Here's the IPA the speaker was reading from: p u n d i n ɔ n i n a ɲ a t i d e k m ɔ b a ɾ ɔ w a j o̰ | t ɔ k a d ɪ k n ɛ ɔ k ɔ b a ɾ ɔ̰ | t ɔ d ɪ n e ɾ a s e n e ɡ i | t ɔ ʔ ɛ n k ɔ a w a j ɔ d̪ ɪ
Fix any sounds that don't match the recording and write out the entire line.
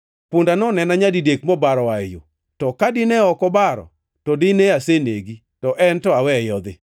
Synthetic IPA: p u n d a n ɔ n ɛ n a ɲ a d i d e k m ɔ b a ɾ ɔ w a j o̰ | t ɔ k a d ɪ n ɛ ɔ k ɔ b a ɾ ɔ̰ | t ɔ d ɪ n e a s e n e ɡ i | t ɔ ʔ ɛ n t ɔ a w ɛ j ɔ d̪ ɪ